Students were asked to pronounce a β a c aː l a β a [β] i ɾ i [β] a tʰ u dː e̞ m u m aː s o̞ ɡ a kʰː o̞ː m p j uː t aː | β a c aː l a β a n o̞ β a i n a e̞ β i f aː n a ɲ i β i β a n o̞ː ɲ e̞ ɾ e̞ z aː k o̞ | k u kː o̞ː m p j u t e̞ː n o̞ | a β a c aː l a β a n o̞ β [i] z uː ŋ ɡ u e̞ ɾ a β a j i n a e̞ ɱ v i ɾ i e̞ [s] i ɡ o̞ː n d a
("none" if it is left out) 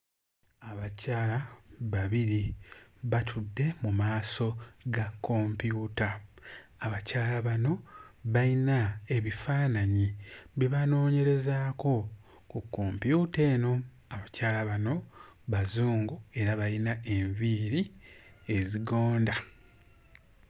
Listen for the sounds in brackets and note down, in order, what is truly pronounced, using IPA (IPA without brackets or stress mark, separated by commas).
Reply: β, β, a, z